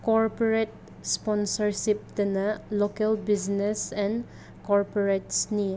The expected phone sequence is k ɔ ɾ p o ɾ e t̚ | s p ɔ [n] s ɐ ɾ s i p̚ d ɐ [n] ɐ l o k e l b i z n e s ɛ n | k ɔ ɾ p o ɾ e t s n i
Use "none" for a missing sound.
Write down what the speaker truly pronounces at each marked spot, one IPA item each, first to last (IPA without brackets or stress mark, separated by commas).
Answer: n, n